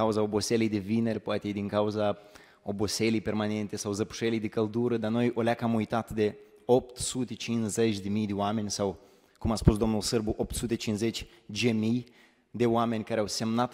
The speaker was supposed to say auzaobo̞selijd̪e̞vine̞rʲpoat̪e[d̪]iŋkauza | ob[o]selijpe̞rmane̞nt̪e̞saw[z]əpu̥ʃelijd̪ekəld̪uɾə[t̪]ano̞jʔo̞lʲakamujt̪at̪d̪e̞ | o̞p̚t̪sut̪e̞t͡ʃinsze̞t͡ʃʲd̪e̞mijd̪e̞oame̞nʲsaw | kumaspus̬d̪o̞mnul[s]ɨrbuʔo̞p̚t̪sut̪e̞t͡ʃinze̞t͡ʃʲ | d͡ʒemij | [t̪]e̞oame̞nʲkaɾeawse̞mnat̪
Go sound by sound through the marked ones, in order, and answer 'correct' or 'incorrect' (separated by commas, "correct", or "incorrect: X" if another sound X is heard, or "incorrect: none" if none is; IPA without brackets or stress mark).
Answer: correct, correct, correct, incorrect: d̪, correct, incorrect: d̪